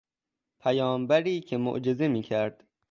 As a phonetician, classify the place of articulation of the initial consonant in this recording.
labial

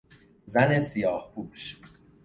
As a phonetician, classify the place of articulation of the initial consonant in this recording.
alveolar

